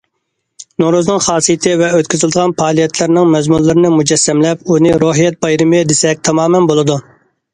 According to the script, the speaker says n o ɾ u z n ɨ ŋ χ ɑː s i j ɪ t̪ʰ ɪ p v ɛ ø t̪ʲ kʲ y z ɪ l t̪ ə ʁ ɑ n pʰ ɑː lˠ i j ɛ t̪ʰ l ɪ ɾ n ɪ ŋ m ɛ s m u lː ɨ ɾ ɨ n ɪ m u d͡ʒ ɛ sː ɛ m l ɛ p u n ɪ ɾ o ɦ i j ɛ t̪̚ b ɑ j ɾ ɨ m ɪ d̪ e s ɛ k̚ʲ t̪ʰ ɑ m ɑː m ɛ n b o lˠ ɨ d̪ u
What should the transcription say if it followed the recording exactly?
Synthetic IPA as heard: n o ɾ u z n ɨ ŋ χ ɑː s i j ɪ t̪ʰ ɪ v ɛ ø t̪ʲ kʲ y z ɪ l d̪ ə ʁ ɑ n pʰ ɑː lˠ i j ɛ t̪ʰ l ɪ ɾ n ɪ ŋ m ɛ z m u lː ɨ ɾ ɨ n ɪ m u d͡ʒ ɛ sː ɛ m l ɛ p u n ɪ ɾ o ɦ i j ɛ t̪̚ b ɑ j ɾ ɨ m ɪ d̪ e s ɛ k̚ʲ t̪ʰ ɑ m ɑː m ɛ n b o lˠ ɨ d̪ u